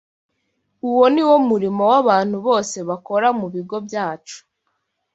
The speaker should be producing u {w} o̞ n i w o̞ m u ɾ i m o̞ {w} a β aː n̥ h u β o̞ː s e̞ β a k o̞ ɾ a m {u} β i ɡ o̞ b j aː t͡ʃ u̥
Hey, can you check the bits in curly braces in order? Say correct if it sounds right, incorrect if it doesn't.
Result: correct, correct, correct

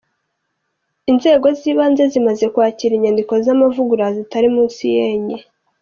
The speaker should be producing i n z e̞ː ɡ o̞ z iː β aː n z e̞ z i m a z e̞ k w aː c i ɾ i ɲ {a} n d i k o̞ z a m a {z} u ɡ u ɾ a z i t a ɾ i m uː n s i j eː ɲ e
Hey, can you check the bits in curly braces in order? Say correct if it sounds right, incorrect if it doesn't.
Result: correct, incorrect: v

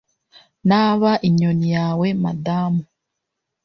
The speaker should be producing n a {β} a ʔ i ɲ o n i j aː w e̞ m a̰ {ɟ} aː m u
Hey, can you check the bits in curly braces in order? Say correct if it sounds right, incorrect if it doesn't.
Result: correct, incorrect: d

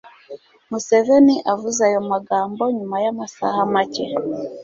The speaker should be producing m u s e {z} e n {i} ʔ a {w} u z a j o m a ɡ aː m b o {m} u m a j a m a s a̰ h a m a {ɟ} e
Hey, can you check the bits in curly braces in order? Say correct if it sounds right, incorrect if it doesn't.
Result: incorrect: v, correct, incorrect: v, incorrect: ɲ, incorrect: c

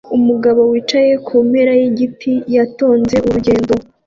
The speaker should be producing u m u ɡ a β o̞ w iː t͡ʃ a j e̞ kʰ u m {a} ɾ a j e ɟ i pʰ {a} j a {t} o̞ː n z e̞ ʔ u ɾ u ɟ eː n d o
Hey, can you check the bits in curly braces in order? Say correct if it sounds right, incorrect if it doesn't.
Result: incorrect: e, incorrect: i, correct

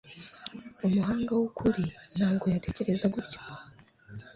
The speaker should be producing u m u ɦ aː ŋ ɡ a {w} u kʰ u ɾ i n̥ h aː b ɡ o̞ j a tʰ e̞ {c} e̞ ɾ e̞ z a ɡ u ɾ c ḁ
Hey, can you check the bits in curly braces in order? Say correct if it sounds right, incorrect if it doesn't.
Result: correct, correct

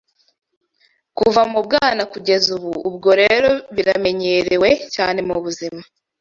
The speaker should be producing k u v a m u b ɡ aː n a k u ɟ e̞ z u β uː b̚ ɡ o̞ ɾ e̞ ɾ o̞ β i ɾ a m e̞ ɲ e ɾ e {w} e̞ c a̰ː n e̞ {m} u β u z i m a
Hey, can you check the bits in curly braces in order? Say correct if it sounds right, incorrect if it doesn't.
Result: correct, correct

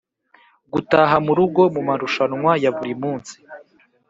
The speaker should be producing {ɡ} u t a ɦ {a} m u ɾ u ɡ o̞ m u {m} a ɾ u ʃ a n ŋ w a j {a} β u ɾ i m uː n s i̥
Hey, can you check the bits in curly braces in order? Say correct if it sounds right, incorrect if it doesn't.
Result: correct, correct, correct, correct

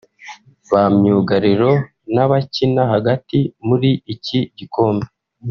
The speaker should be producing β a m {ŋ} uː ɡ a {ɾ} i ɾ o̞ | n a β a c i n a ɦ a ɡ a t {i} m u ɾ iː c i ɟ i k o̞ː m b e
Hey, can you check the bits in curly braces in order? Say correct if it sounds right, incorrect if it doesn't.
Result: incorrect: ɲ, correct, correct

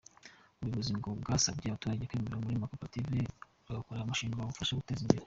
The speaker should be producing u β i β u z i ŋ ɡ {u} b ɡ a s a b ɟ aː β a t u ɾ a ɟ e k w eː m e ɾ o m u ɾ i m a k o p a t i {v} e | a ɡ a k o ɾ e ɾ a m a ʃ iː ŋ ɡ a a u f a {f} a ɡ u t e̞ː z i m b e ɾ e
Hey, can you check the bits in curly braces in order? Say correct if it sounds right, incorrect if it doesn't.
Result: incorrect: o, correct, incorrect: ʃ

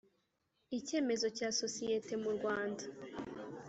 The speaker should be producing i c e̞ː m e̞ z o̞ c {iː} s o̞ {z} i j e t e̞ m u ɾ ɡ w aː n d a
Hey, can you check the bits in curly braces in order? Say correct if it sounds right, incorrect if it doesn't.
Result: incorrect: aː, incorrect: s

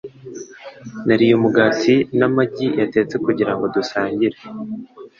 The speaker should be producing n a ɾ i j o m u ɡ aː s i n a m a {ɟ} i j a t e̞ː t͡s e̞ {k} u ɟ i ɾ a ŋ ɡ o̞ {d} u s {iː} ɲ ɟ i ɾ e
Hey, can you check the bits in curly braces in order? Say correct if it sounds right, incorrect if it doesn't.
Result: correct, correct, correct, incorrect: aː

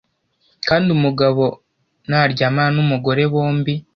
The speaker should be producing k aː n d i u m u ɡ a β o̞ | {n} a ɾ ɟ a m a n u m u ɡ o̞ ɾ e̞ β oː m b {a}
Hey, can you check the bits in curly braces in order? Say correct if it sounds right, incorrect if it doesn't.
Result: correct, incorrect: i

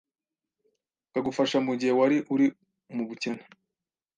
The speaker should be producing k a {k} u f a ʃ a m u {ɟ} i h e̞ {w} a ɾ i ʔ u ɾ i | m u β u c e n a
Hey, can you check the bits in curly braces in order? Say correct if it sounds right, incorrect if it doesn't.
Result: incorrect: ɡ, correct, correct

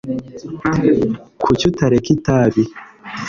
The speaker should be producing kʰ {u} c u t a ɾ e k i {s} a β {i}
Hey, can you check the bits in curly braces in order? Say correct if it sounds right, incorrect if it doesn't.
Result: correct, incorrect: t, correct

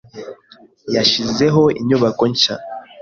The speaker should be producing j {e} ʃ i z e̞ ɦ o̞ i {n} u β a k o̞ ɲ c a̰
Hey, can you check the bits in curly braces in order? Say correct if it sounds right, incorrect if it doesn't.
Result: incorrect: a, incorrect: ɲ

